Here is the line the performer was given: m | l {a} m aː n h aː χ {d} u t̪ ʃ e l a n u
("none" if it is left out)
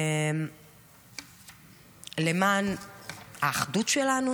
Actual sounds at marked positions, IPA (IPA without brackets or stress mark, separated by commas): e, d